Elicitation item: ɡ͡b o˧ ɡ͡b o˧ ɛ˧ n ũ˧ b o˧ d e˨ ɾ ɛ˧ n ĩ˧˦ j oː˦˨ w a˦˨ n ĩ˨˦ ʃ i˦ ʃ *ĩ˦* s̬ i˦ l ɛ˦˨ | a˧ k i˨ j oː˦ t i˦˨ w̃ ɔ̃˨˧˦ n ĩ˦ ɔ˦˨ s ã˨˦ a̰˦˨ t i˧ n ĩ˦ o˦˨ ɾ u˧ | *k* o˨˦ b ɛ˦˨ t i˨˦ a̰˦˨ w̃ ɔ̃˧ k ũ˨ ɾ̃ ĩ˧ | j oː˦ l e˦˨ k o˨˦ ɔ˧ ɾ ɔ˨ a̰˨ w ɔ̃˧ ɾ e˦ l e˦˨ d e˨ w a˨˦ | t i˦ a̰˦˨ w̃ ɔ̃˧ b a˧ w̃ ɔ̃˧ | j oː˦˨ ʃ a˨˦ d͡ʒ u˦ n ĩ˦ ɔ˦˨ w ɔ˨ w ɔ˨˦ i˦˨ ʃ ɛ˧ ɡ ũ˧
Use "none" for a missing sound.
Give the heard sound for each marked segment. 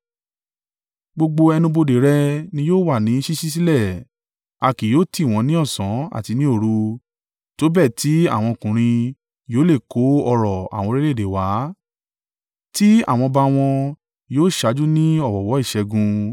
i˦, t

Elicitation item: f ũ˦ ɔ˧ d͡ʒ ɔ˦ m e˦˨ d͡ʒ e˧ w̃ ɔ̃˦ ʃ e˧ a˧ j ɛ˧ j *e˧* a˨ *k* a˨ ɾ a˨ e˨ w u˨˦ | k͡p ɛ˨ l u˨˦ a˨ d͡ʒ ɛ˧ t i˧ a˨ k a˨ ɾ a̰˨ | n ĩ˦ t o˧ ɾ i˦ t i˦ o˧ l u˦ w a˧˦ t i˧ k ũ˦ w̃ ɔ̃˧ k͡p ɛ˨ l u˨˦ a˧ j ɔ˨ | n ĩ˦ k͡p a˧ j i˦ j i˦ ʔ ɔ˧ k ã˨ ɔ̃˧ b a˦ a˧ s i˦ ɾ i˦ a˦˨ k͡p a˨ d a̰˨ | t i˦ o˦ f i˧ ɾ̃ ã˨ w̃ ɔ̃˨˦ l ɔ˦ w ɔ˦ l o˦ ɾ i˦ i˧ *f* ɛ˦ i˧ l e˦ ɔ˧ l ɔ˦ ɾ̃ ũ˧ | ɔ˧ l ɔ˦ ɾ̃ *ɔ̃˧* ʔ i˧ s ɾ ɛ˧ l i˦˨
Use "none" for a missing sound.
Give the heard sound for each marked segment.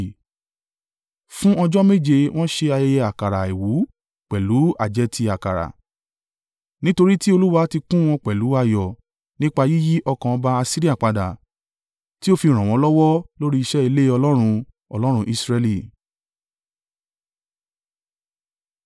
ɛ˧, k, ʃ, ũ˧

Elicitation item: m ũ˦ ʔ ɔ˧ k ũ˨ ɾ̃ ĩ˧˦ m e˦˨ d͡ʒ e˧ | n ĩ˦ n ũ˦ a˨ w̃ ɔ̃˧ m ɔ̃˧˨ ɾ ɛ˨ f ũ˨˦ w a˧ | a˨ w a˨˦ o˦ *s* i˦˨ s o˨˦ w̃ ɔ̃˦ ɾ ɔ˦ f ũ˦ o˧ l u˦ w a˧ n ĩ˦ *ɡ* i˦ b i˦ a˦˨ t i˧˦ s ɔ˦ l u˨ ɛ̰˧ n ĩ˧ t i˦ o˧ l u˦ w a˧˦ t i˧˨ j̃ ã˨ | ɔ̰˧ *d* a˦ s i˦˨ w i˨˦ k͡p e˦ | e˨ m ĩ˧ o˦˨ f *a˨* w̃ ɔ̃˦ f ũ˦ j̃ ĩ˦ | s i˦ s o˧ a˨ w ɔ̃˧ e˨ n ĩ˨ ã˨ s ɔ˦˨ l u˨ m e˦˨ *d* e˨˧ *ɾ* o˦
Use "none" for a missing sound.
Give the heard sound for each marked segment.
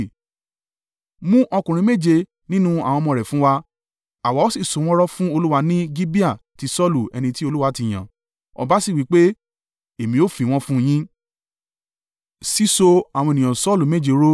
s, ɡ, b, i˨, d͡ʒ, ɾ

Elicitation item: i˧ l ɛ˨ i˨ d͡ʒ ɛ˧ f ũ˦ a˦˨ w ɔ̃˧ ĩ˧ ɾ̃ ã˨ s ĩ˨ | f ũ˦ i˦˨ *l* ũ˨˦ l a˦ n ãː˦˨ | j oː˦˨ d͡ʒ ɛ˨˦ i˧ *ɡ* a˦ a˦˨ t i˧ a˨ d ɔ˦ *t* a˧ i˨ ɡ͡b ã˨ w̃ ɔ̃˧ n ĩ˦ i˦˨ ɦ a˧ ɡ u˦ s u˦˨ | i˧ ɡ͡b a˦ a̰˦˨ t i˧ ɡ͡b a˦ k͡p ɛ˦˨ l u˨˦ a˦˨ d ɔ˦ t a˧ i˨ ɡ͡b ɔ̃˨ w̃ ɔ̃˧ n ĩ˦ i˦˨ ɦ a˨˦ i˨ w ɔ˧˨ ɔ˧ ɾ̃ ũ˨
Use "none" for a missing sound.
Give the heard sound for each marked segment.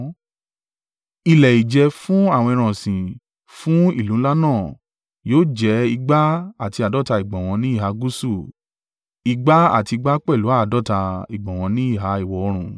l, ɡ͡b, t

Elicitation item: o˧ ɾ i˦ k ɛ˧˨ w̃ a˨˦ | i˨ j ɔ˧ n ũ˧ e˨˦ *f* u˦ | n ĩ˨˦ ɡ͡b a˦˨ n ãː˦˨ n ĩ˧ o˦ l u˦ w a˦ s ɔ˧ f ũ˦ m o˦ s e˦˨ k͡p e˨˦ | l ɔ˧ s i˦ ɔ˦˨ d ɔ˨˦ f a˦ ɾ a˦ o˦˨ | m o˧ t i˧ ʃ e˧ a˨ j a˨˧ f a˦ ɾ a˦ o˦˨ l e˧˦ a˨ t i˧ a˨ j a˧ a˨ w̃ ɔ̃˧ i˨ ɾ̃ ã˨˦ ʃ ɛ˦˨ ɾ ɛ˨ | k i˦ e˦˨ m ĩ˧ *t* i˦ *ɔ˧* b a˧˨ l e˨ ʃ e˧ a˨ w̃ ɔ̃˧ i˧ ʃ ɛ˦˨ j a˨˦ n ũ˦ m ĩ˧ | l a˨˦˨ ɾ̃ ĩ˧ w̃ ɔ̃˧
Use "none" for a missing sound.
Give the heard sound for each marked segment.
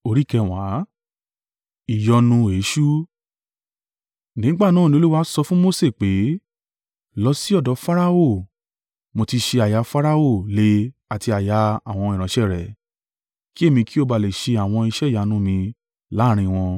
ʃ, k, o˧

